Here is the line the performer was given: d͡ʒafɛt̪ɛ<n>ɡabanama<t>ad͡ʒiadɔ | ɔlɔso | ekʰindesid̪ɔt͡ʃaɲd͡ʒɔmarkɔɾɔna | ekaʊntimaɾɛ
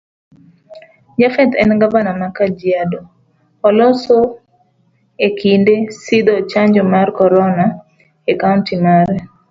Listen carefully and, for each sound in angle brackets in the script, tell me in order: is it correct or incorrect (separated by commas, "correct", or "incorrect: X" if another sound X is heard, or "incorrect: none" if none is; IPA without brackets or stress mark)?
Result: correct, incorrect: k